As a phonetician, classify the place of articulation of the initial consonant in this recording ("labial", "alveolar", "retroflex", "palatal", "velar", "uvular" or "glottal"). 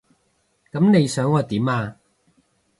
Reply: velar